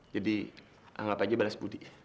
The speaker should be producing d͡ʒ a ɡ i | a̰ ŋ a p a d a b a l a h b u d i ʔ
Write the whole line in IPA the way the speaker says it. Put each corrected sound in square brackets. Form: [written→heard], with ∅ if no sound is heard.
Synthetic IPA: d͡ʒ a [ɡ→d] i | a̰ ŋ a p a [d→d͡ʒ] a b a l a [h→s] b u d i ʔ